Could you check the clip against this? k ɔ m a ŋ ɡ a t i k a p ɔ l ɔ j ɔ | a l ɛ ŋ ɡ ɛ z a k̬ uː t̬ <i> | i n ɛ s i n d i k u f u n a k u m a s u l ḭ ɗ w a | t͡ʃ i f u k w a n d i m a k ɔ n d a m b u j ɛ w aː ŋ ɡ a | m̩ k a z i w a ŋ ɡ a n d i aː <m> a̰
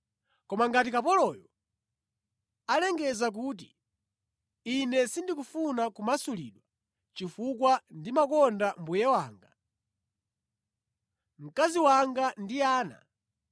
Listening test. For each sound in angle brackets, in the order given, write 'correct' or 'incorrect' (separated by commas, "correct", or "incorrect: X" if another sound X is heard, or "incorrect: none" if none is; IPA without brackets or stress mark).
correct, incorrect: n